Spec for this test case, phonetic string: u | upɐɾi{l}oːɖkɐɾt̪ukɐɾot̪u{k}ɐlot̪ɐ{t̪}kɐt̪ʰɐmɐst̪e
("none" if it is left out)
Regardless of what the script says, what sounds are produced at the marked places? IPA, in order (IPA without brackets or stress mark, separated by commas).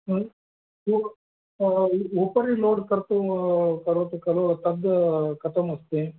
l, k, d̪